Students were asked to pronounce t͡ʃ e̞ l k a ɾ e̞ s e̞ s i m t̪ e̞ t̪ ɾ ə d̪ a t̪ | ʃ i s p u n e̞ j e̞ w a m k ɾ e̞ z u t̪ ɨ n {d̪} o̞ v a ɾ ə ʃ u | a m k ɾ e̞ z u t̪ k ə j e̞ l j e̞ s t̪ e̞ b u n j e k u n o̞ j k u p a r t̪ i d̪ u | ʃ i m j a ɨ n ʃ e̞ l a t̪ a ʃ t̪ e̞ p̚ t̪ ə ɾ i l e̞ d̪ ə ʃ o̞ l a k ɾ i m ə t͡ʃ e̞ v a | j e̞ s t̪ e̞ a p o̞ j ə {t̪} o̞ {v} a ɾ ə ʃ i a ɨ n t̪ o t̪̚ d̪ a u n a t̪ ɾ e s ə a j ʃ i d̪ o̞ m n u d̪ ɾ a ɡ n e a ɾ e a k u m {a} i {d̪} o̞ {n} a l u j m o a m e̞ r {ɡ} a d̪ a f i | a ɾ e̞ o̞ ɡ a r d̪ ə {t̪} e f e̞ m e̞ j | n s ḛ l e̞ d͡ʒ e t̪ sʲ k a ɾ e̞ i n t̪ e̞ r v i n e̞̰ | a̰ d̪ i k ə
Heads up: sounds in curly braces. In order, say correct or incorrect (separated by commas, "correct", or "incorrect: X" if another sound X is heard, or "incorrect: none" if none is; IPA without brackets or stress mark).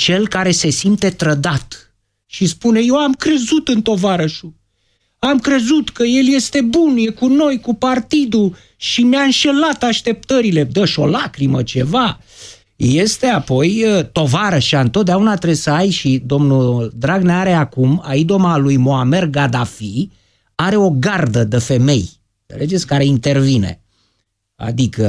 incorrect: t̪, correct, correct, correct, correct, incorrect: m, correct, incorrect: d̪